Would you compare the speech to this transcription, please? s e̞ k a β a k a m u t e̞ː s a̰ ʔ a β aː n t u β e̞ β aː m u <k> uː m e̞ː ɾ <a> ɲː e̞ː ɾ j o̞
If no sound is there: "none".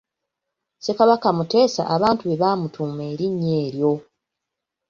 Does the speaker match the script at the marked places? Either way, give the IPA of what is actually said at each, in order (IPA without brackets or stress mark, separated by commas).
t, i